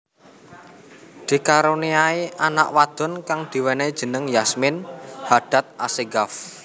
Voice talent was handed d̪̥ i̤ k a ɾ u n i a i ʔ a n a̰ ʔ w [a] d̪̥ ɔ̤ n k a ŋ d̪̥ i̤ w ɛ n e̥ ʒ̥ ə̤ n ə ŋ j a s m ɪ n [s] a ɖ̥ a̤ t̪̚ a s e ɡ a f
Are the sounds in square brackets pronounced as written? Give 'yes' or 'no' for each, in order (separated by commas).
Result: yes, no